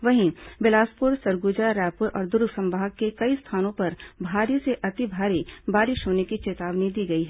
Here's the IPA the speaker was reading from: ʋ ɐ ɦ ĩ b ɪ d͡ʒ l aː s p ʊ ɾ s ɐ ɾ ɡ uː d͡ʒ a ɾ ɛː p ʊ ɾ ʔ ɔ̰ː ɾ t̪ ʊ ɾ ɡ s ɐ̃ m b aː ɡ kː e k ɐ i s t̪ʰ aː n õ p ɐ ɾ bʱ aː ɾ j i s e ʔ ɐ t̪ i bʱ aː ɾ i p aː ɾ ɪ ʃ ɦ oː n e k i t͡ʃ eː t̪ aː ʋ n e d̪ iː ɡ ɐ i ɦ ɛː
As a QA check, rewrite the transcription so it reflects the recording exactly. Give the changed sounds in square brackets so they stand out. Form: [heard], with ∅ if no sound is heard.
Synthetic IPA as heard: ʋ ɐ ɦ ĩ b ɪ [∅] l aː s p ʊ ɾ s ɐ ɾ ɡ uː d͡ʒ a ɾ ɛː p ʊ ɾ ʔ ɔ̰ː ɾ [d̪] ʊ ɾ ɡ s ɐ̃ m b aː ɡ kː e k ɐ i s t̪ʰ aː n õ p ɐ ɾ bʱ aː ɾ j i s e ʔ ɐ t̪ i bʱ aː ɾ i [b] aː ɾ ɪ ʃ ɦ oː n e k i t͡ʃ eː t̪ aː ʋ n [i] d̪ iː ɡ ɐ i ɦ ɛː